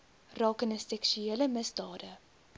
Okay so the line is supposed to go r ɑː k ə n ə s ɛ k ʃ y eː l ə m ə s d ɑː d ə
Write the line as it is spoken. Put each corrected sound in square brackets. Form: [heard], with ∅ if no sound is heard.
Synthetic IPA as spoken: r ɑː k ə n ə s ɛ k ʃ y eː l ə m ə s d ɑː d ə